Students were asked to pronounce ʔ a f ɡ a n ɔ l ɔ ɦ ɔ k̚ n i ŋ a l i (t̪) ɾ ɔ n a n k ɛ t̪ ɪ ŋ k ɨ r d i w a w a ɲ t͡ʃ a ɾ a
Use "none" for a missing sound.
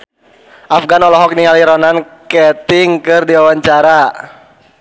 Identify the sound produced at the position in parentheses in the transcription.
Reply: none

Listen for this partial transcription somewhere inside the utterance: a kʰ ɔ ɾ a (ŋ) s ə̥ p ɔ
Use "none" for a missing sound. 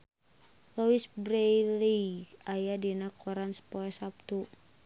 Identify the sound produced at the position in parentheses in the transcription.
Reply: n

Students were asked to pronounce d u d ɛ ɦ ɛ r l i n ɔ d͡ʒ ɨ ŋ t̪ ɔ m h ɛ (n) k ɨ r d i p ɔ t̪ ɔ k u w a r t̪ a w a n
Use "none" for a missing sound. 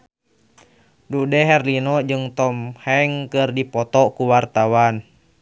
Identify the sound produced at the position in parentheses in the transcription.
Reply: ŋ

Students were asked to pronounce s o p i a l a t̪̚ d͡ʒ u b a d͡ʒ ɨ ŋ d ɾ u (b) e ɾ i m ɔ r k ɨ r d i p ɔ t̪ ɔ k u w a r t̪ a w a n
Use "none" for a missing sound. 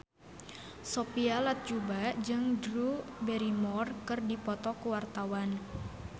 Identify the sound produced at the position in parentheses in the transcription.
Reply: b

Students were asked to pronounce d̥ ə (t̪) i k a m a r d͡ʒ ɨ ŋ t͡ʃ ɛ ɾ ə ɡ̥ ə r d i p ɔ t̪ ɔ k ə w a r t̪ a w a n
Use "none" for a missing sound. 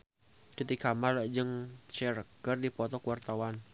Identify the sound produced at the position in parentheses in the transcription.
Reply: t̪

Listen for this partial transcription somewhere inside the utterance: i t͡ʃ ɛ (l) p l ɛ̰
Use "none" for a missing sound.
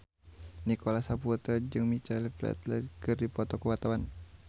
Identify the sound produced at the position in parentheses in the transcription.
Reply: l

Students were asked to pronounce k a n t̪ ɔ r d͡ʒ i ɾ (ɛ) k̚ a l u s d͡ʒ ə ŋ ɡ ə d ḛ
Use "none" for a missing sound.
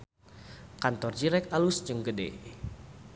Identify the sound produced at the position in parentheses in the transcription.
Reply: ɛ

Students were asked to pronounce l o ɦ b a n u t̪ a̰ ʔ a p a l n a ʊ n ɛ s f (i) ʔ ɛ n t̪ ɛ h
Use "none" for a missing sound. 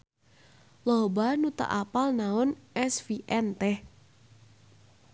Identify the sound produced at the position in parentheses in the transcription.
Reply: i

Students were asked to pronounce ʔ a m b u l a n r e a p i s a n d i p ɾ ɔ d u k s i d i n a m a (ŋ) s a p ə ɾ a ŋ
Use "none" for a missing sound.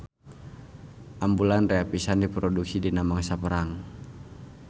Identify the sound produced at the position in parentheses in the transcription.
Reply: ŋ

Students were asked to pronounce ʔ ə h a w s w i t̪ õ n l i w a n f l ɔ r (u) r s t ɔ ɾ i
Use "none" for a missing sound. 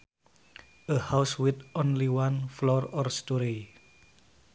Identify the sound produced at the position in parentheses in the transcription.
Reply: ɔ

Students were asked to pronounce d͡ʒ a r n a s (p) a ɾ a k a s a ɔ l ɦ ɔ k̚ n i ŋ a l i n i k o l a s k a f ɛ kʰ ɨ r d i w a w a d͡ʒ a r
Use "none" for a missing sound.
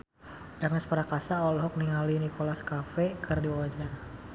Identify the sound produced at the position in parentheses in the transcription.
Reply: p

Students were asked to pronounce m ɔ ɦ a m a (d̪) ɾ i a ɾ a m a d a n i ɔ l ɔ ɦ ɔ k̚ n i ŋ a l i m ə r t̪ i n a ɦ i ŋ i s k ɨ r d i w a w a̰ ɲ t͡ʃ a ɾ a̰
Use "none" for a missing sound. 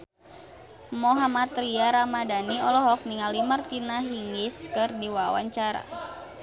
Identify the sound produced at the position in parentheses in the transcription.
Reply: t̪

